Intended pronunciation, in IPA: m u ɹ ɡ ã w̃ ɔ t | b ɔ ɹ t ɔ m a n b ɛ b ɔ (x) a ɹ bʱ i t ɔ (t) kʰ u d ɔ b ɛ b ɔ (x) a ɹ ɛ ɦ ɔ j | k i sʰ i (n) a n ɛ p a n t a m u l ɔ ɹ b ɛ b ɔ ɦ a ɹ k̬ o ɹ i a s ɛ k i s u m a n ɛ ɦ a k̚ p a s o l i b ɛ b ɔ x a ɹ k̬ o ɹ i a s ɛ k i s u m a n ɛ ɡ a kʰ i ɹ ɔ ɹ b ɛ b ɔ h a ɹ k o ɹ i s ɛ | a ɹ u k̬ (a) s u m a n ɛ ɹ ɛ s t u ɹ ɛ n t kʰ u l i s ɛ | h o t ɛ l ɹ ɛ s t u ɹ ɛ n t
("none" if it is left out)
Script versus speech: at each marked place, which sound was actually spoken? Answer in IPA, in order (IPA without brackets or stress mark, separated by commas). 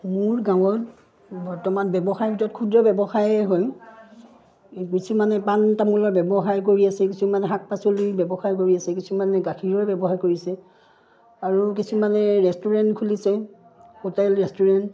x, t, x, m, i